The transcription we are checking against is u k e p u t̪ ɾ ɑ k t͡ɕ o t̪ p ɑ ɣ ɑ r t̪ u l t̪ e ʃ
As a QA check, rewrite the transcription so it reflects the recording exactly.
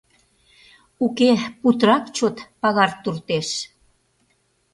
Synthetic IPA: u k e p u t̪ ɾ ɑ k t͡ɕ o t̪ p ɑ ɣ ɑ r t̪ u r t̪ e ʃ